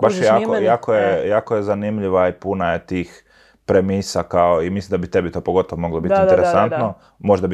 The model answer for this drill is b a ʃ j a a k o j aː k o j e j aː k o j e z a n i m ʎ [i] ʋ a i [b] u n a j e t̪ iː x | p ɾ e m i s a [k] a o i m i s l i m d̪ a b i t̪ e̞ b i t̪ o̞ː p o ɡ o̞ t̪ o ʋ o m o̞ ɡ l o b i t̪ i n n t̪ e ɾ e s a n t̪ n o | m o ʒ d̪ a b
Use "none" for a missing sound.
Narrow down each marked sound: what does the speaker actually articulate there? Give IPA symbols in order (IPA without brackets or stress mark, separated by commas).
i, p, k